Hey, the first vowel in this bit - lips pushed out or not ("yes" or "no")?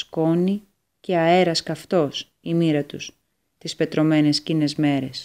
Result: yes